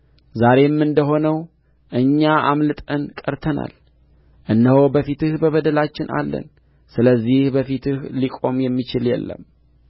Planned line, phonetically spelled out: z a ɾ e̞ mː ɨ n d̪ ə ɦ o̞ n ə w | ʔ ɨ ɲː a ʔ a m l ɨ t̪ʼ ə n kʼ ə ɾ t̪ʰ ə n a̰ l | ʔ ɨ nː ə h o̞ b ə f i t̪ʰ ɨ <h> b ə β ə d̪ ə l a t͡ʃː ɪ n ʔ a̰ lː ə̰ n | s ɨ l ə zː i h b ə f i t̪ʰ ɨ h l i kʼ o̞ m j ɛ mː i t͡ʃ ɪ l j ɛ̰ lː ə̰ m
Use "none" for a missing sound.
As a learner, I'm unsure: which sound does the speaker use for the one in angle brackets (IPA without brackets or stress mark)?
h